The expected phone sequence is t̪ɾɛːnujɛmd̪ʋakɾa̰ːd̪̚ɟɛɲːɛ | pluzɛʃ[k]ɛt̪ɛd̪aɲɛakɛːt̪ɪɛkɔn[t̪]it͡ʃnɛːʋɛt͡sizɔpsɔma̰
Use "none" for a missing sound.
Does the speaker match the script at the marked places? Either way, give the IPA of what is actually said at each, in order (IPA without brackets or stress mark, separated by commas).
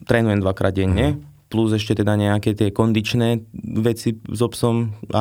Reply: c, d̪